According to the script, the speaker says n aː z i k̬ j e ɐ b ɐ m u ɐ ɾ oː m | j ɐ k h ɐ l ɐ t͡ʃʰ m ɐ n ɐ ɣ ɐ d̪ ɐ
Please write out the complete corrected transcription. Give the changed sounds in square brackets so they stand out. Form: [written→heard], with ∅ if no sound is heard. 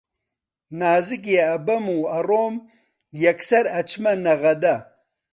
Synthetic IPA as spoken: n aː z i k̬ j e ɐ b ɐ m u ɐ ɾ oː m | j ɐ k [h→s] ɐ [l→ɾ] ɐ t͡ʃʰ m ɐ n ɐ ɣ ɐ d̪ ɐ